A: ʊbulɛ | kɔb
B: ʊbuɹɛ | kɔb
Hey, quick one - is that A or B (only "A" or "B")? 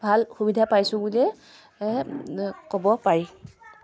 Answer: A